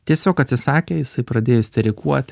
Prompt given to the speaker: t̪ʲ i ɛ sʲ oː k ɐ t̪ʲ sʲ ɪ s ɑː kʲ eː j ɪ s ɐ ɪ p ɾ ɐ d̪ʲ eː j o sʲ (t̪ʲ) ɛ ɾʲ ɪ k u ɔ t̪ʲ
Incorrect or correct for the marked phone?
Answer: correct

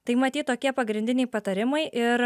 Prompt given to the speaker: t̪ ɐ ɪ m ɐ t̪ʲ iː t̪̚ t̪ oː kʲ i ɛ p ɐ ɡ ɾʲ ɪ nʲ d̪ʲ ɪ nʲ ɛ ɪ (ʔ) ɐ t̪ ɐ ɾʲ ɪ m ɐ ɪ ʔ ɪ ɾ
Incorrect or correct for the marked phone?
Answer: incorrect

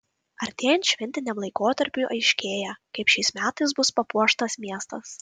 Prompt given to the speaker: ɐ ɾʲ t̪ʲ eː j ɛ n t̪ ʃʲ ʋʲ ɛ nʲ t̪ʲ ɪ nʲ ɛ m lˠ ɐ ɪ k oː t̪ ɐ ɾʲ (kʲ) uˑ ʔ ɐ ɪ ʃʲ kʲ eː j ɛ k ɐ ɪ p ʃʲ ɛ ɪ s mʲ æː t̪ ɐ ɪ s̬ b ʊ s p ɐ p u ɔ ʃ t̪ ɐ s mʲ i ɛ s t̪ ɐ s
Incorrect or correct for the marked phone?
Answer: incorrect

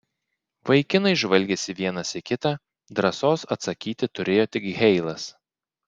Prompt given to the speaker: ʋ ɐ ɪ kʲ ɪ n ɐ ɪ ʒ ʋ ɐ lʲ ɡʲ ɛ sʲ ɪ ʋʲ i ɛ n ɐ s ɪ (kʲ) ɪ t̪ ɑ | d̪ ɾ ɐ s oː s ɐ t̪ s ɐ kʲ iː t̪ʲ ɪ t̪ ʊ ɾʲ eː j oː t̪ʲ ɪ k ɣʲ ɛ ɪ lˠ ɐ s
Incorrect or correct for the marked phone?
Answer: correct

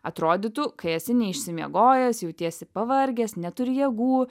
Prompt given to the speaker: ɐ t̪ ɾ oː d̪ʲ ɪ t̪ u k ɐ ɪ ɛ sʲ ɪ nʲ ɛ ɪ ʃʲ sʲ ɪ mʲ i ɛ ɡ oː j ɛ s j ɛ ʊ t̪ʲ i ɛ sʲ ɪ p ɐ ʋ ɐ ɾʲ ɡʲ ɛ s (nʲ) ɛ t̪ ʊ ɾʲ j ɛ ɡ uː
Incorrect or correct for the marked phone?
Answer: correct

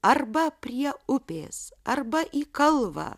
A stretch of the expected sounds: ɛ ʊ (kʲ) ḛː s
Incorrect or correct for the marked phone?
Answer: incorrect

